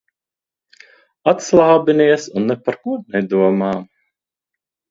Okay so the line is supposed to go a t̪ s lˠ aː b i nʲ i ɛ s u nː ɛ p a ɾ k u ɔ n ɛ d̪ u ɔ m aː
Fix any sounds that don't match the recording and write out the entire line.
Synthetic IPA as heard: a t̪ s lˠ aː b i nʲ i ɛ s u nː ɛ p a ɾ k u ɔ n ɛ d̪ u ɔ m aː